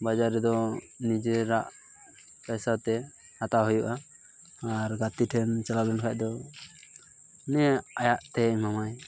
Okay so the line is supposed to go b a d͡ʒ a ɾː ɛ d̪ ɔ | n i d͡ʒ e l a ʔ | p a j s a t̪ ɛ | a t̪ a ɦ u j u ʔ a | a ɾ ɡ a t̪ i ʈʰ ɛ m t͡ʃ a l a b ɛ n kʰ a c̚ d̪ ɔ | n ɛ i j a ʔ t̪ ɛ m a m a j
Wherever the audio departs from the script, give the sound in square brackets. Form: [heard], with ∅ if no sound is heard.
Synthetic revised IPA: b a d͡ʒ a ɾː ɛ d̪ ɔ | n i d͡ʒ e [ɾ] a ʔ | p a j s a t̪ ɛ | a t̪ a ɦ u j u ʔ a | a ɾ ɡ a t̪ i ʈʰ ɛ [n] t͡ʃ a l a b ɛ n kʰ a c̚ d̪ ɔ | n ɛ [a] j a ʔ t̪ ɛ m a m a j